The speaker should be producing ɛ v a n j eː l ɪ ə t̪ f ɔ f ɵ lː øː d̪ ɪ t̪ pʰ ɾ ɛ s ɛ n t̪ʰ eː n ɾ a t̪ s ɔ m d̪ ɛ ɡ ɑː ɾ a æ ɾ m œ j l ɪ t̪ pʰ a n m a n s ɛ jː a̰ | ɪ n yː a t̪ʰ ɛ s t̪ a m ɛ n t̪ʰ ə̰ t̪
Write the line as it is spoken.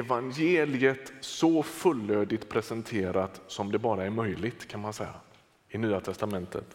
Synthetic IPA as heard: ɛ v a n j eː l ɪ ə t̪ s ɔ f ɵ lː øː d̪ ɪ t̪ pʰ ɾ ɛ s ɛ n t̪ʰ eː ɾ a t̪ s ɔ m d̪ ɛ b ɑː ɾ a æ ɾ m œ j l ɪ t̪ kʰ a n m a n s ɛ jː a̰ | ɪ n yː a t̪ʰ ɛ s t̪ a m ɛ n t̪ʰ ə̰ t̪